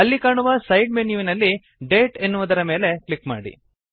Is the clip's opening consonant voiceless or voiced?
voiced